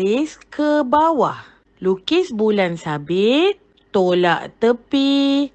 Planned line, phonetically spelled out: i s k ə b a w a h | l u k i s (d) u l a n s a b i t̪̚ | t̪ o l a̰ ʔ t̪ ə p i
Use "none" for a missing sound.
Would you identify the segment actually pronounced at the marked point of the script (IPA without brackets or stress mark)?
b